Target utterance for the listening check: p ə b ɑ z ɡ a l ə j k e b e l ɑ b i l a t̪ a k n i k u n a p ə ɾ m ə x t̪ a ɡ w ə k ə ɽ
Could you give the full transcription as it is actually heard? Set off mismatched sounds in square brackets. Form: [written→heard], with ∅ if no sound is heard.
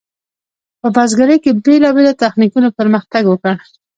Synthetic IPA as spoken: p ə b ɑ z ɡ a [l→ɾ] ə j k e b e l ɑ b [i→e] l a t̪ a [k→x] n i k u n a p ə ɾ m ə x t̪ a ɡ w ə k ə ɽ